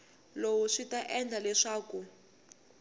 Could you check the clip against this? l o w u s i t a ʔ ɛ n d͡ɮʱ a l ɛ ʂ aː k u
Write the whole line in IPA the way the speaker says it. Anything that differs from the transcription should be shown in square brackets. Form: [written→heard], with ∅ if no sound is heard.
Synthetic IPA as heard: l o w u [s→ʂ] i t a ʔ ɛ n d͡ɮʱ a l ɛ ʂ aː k u